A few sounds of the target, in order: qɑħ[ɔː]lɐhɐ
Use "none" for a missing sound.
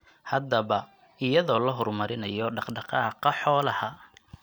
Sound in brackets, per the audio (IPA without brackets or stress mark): ɔː